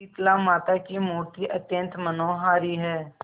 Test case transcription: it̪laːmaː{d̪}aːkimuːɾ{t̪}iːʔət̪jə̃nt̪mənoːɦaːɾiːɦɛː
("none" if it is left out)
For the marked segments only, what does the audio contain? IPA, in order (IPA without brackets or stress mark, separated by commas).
t̪, t̪